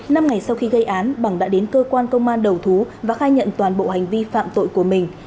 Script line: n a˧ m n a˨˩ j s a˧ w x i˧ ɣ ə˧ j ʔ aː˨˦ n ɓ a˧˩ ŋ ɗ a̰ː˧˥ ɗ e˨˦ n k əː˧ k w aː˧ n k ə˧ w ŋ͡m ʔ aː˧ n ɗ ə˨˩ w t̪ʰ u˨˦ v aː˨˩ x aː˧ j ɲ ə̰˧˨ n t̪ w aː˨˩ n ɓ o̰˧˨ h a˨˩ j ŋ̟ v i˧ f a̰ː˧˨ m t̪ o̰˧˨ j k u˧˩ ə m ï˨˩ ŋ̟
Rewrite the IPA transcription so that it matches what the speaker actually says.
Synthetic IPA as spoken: n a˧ m ŋ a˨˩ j s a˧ w x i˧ ɣ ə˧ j ʔ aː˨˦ n ɓ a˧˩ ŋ ɗ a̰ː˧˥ ɗ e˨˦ n k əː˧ k w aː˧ n k ə˧ w ŋ͡m ʔ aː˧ n ɗ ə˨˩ w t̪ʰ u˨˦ v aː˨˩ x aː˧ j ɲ ə̰˧˨ n t̪ w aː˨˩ n ɓ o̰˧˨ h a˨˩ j ŋ̟ v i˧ f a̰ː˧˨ m t̪ o̰˧˨ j k u˧˩ ə m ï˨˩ ŋ̟